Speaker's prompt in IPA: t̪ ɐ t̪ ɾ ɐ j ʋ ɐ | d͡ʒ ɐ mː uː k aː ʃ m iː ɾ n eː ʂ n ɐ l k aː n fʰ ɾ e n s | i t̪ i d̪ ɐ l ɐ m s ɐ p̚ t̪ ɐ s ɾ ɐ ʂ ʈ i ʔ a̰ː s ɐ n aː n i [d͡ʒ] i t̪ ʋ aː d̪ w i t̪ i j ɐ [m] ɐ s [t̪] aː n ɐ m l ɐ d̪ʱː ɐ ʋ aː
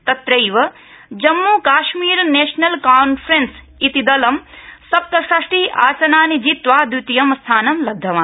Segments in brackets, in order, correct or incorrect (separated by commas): correct, correct, incorrect